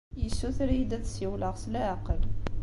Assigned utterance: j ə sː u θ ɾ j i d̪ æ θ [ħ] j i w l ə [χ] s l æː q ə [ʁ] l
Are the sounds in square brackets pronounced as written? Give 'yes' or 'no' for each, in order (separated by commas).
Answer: no, no, no